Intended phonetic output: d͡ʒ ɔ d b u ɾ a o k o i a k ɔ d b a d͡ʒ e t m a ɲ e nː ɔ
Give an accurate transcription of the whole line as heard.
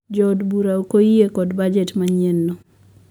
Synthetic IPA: d͡ʒ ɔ d b u ɾ a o k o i e k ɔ d b a d͡ʒ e t m a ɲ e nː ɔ